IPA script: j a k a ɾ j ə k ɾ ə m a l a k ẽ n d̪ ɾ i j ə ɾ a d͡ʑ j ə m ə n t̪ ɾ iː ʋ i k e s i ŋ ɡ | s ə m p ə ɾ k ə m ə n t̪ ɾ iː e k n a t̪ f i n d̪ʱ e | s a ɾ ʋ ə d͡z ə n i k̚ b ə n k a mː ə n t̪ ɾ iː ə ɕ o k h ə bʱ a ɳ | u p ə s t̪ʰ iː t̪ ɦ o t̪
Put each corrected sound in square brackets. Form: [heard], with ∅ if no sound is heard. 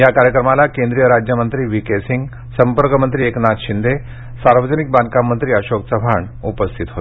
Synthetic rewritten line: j a k a ɾ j ə k ɾ ə m a l a k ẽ n d̪ ɾ i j ə ɾ a d͡ʑ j ə m ə n t̪ ɾ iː ʋ i k e s i ŋ ɡ | s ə m p ə ɾ k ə m ə n t̪ ɾ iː e k n a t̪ [ɕ] i n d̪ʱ e | s a ɾ ʋ ə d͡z ə n i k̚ b [a] n k a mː ə n t̪ ɾ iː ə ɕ o k [s] ə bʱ a ɳ | u p ə s t̪ʰ [i] t̪ ɦ o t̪

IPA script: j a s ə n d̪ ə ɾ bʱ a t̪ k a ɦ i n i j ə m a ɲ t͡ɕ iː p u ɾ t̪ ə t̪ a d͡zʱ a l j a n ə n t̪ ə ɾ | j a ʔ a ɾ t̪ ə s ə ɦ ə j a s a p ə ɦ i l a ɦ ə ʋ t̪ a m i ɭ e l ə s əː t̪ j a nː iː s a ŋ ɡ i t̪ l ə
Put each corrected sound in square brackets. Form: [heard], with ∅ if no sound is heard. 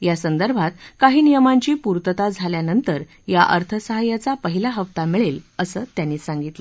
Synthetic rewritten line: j a s ə n d̪ ə ɾ bʱ a t̪ k a ɦ [iː] n i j ə m a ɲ t͡ɕ iː p u ɾ t̪ ə t̪ a d͡zʱ a l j a n ə n t̪ ə ɾ | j a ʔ [ə] ɾ [t̪ʰ] ə s ə ɦ [a] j a [t͡s] a p ə ɦ i l a ɦ ə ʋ t̪ a m i ɭ e l ə s əː t̪ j a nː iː s a ŋ ɡ i t̪ l ə

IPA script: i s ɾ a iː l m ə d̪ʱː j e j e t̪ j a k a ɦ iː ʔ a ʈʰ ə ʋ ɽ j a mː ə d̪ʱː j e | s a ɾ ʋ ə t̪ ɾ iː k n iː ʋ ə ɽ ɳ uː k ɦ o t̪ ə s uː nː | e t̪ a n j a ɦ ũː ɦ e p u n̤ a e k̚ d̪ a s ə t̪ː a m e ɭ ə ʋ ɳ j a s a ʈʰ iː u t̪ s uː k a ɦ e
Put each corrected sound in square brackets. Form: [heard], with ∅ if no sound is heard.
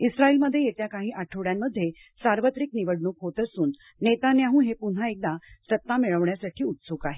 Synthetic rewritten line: i s ɾ a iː l m ə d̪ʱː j e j e t̪ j a k a ɦ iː ʔ a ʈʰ ə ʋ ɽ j a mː ə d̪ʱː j e | s a ɾ ʋ ə t̪ ɾ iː k n [i] ʋ ə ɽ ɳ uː k ɦ o t̪ ə s uː nː | e t̪ a n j a ɦ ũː ɦ e p u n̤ a e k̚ d̪ a s ə t̪ː a m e ɭ ə ʋ ɳ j a s a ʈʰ iː u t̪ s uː k a ɦ e

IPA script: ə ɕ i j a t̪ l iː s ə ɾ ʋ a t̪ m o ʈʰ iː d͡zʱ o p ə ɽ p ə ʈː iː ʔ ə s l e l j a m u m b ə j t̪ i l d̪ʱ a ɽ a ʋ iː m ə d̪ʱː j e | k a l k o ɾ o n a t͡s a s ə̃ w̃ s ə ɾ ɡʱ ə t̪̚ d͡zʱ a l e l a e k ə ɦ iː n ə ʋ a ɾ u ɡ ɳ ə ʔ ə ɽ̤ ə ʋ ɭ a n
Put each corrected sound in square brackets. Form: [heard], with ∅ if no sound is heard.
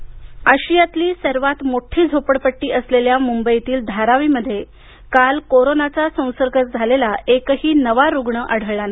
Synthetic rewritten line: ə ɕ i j a t̪ l iː s ə ɾ ʋ a t̪ m o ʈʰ iː d͡zʱ o p ə ɽ p ə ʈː iː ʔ ə s l e l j a m u m b ə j t̪ [iː] l d̪ʱ a [ɾ] a ʋ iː m ə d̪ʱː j e | k a l k o ɾ o n a t͡s a s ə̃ w̃ s ə ɾ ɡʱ ə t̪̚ d͡zʱ a l e l a e k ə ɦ iː n ə ʋ a ɾ u ɡ ɳ ə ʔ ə ɽ̤ ə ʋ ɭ a n

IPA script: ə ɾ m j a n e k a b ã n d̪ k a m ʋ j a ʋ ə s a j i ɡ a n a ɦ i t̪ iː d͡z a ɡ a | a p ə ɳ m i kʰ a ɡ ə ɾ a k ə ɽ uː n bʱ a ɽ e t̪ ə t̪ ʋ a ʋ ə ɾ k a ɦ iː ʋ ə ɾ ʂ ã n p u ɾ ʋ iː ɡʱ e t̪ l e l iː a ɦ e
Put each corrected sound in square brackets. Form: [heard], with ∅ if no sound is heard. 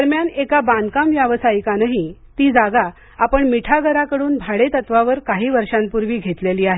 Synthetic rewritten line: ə ɾ m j a n e k a b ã n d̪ k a m ʋ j a ʋ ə s a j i [k] a n a ɦ i t̪ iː d͡z a ɡ a | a p ə ɳ m i [ʈʰ] a ɡ ə ɾ a k ə ɽ uː n bʱ a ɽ e t̪ ə t̪ ʋ a ʋ ə ɾ k a ɦ iː ʋ ə ɾ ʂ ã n p u ɾ ʋ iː ɡʱ e t̪ l e l iː a ɦ e

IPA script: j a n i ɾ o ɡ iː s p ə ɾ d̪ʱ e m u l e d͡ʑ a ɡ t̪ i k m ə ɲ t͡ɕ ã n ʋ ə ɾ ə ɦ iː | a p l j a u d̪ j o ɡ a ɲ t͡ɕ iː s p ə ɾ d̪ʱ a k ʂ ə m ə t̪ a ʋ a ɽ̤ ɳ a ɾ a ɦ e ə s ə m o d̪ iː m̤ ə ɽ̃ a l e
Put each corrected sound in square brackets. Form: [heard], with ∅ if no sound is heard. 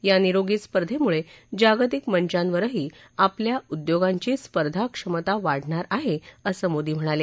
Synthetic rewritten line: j a n i ɾ o ɡ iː s p ə ɾ d̪ʱ e m u [ɭ] e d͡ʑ a ɡ t̪ i k m ə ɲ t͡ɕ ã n ʋ ə ɾ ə ɦ iː | a p l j a u d̪ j o ɡ a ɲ t͡ɕ iː s p ə ɾ d̪ʱ a k ʂ ə m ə t̪ a ʋ a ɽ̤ ɳ a ɾ a ɦ e ə s ə m o d̪ iː m̤ ə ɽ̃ a l e

